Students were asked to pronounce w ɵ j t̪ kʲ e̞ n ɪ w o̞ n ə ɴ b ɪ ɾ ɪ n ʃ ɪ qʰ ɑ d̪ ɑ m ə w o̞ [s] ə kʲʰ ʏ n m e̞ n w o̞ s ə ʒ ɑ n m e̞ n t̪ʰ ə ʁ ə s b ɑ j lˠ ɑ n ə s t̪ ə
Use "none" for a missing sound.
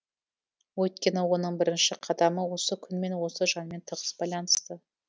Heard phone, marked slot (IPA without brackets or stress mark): s